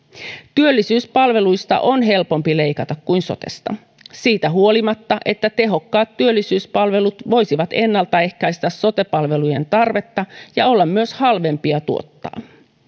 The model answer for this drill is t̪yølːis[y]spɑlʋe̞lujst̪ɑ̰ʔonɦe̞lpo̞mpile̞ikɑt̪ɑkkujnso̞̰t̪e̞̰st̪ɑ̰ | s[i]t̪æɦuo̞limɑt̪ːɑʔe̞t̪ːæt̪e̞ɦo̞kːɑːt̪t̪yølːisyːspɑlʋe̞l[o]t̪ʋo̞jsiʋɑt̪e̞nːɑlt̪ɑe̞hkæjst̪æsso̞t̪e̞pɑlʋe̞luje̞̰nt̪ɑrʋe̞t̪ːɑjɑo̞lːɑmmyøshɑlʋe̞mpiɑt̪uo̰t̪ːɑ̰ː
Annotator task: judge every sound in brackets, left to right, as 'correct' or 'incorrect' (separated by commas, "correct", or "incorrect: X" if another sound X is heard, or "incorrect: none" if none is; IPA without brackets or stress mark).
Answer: incorrect: yː, incorrect: iː, incorrect: u